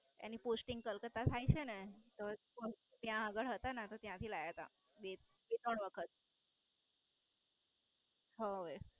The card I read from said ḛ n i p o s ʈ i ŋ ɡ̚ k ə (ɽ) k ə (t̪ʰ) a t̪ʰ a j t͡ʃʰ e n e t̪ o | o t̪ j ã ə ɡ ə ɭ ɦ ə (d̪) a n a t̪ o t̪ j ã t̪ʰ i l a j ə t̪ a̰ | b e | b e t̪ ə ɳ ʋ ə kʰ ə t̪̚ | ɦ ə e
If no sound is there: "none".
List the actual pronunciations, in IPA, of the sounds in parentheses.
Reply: l, t̪, t̪

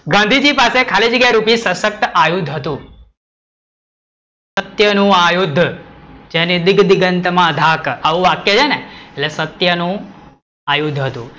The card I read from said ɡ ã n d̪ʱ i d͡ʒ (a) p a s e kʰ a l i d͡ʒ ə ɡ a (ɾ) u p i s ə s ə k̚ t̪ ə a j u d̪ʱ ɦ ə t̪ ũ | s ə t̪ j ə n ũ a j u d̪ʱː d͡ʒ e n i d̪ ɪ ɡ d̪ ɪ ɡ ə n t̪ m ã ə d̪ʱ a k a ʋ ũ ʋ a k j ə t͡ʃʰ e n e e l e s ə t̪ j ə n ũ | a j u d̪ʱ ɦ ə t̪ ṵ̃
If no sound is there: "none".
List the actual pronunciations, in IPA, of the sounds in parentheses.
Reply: i, ɾ

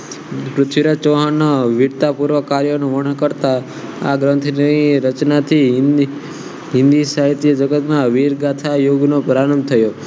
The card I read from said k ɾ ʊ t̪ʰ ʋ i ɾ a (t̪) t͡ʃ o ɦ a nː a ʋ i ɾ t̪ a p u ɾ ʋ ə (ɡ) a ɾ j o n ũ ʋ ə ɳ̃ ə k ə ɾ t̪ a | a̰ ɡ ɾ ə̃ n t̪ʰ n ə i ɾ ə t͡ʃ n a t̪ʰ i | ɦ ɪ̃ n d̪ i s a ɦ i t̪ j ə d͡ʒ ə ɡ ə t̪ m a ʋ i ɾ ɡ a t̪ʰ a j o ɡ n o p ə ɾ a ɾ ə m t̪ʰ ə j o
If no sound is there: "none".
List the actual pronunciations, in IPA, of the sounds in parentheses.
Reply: none, k

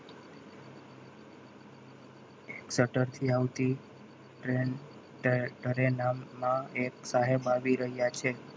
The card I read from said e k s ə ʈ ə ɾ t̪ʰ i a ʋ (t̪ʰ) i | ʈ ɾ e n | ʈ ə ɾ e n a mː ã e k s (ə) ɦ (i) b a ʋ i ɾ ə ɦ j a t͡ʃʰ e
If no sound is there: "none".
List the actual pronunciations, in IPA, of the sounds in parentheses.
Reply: t̪, a, e

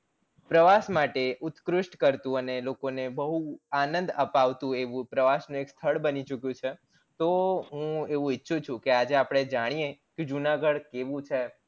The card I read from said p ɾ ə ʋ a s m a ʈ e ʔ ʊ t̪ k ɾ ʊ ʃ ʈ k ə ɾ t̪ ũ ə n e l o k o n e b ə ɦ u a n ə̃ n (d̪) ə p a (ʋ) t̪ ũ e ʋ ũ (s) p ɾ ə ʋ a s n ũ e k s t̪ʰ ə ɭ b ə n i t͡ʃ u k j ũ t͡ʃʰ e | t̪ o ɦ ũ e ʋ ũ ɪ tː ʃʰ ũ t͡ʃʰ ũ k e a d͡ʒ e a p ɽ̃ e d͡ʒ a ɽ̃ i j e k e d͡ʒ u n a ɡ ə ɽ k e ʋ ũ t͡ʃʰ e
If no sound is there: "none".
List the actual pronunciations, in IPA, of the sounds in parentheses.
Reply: d̪, ʋ, none

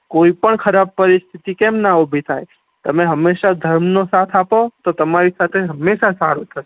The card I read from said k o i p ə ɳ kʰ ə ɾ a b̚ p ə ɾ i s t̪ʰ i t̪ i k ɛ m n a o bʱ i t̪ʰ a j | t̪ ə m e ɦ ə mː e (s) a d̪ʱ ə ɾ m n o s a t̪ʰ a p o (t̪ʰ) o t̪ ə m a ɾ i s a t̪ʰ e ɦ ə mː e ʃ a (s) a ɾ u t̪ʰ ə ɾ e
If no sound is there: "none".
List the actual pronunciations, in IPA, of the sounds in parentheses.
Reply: ʃ, t̪, s

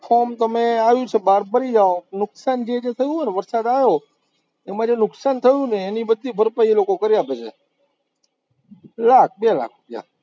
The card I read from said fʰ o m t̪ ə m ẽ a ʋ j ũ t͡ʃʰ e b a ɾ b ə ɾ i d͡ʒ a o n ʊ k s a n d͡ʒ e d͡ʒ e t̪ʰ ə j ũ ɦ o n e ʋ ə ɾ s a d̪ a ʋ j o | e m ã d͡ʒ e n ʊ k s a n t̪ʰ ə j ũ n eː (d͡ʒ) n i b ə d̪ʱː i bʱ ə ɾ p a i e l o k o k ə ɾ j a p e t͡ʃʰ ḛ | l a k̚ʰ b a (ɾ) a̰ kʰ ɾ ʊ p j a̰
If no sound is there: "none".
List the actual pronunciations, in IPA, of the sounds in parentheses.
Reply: none, l

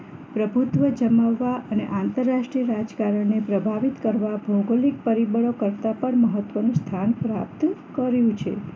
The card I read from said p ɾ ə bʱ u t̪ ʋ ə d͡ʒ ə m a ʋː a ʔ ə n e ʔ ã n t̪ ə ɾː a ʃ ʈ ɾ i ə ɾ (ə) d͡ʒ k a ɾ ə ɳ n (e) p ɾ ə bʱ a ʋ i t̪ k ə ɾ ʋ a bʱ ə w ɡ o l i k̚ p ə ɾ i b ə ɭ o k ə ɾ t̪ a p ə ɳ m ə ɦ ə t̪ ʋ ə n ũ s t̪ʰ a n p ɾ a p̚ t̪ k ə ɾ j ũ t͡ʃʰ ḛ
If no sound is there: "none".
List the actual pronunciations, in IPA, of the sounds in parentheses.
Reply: a, e

